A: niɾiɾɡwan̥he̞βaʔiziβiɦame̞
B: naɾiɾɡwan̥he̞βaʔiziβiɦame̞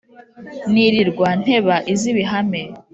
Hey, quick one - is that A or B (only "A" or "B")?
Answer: A